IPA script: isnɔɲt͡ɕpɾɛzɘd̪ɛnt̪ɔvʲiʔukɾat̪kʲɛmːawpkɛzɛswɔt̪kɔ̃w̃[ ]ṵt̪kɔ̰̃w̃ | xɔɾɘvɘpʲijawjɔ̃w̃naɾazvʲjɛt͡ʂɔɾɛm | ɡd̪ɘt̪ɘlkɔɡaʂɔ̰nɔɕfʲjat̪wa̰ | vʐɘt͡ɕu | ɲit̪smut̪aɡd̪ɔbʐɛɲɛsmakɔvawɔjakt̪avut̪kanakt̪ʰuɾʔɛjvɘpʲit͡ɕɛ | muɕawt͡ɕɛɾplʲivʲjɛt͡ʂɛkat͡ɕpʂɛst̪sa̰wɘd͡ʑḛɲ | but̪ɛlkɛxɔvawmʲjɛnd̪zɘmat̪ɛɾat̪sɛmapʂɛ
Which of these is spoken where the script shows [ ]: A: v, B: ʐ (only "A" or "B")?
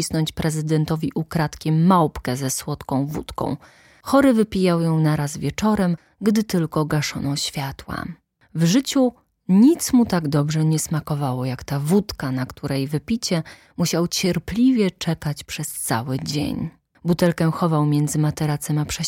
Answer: A